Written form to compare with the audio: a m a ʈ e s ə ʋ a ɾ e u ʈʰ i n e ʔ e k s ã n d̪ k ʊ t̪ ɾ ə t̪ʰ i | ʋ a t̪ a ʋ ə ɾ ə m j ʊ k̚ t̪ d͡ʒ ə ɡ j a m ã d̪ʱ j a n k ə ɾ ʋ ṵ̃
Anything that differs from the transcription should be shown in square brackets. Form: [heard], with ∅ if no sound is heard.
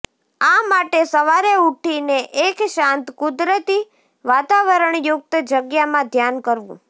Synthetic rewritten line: a m a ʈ e s ə ʋ a ɾ e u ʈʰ i n e ʔ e k [ʃ] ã n [t̪] k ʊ [d̪] ɾ ə [t̪] i | ʋ a t̪ a ʋ ə ɾ ə [ɳ] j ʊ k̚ t̪ d͡ʒ ə ɡ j a m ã d̪ʱ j a n k ə ɾ ʋ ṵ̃